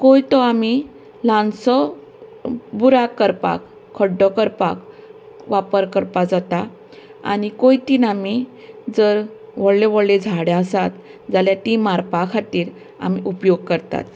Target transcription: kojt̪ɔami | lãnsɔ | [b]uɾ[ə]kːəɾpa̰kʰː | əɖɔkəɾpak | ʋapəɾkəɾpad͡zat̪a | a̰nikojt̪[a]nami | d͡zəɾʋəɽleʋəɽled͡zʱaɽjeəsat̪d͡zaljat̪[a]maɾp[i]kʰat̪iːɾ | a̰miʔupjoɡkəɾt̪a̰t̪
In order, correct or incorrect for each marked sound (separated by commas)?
correct, incorrect, incorrect, incorrect, incorrect